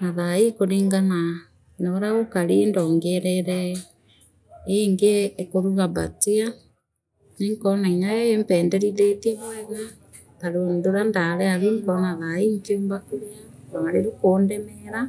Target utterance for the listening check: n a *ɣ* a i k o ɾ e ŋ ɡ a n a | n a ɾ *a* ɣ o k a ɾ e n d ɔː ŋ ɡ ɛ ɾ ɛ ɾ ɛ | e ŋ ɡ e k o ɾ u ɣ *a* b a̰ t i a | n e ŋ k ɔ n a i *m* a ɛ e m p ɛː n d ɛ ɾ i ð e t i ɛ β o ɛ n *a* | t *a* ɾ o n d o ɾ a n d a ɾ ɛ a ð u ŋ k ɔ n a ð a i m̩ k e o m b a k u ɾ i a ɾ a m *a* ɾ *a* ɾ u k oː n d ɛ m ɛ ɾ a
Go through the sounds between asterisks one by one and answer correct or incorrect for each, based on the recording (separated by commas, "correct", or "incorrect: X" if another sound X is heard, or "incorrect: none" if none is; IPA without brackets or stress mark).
incorrect: ð, correct, correct, incorrect: ɲ, correct, correct, correct, incorrect: e